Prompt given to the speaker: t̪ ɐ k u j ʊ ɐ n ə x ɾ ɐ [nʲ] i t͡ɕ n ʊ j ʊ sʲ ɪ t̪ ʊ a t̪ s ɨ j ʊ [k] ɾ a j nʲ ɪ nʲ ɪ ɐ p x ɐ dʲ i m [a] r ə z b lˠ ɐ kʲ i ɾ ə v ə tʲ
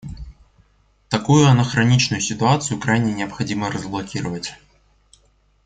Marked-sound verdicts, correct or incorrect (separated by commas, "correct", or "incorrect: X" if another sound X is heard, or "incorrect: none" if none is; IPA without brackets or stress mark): correct, correct, incorrect: ə